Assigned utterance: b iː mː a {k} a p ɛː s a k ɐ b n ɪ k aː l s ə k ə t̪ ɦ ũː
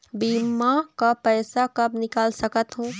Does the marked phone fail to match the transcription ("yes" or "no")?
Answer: no